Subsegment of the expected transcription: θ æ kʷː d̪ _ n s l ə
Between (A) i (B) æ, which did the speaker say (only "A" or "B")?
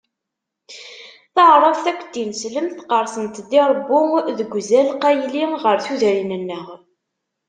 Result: A